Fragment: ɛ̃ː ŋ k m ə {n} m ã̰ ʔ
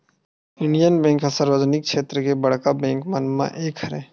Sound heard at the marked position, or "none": n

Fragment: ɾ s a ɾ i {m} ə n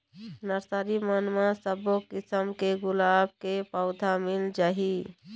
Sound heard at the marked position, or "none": m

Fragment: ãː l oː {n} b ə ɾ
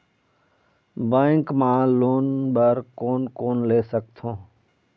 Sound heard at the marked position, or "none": n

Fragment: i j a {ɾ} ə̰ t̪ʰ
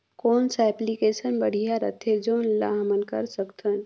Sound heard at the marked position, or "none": ɾ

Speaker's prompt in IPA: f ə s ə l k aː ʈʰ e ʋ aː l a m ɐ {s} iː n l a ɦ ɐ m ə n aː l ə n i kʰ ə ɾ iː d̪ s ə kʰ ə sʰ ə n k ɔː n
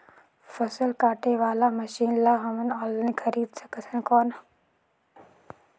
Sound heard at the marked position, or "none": ʃ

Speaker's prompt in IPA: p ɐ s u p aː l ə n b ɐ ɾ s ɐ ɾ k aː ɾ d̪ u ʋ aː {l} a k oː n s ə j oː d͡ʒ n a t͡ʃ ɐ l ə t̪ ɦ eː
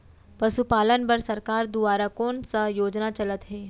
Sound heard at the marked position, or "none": ɾ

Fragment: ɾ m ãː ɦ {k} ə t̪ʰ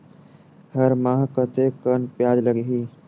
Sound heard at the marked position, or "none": k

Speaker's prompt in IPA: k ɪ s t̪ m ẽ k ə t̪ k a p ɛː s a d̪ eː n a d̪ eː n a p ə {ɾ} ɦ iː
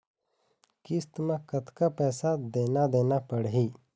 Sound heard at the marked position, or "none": ɽ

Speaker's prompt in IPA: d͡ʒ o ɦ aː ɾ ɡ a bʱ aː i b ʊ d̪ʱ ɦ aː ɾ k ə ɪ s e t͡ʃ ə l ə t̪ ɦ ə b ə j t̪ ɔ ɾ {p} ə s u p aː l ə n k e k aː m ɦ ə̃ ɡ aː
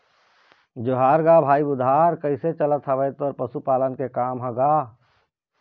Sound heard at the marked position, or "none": p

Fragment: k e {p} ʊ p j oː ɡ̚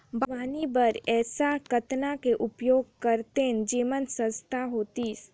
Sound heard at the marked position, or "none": ʔ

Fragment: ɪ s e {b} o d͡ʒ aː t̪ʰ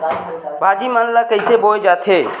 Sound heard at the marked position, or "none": b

